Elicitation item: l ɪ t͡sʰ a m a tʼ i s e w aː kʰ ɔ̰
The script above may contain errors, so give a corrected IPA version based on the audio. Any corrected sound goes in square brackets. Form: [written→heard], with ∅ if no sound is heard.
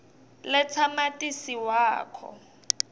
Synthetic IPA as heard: l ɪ t͡sʰ a m a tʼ i s [e→i] w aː kʰ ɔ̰